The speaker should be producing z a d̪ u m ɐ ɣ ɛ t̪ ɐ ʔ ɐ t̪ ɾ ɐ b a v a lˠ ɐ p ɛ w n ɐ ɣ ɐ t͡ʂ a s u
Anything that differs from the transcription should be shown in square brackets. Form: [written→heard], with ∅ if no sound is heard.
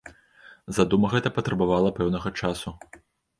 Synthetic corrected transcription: z a d̪ u m ɐ ɣ ɛ t̪ ɐ [ʔ→p] ɐ t̪ ɾ ɐ b a v a lˠ ɐ p ɛ w n ɐ ɣ ɐ t͡ʂ a s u